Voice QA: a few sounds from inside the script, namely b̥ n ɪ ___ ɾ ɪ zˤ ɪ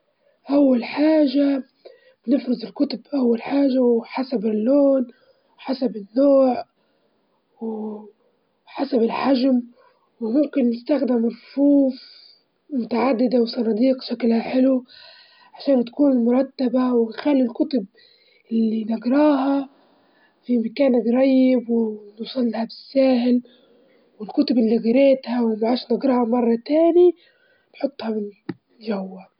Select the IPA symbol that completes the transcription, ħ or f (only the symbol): f